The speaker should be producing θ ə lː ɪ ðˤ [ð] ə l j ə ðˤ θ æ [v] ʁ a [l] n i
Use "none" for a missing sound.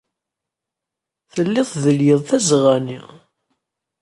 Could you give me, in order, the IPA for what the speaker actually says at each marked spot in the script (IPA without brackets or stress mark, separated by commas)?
ð, z, none